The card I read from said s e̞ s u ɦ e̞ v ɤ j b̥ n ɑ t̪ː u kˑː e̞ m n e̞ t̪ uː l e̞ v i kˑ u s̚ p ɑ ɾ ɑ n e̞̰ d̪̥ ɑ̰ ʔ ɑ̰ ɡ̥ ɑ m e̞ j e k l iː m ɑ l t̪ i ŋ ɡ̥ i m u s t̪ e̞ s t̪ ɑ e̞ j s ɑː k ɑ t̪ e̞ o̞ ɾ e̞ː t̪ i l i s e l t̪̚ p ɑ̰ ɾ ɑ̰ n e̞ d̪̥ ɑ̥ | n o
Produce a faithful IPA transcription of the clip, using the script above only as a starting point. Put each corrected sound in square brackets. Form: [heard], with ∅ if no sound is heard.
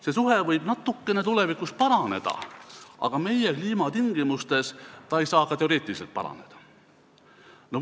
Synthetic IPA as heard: s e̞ s u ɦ e̞ v ɤ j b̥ n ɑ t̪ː u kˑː e̞ [∅] n e̞ t̪ [u] l e̞ v i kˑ u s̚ p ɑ ɾ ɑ n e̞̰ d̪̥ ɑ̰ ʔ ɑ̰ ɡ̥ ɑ m e̞ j e k l iː m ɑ [∅] t̪ i ŋ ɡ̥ i m u s t̪ e̞ s t̪ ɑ e̞ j s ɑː k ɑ t̪ e̞ o̞ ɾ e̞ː t̪ i l i s e l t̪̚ p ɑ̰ ɾ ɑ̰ n e̞ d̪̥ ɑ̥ | n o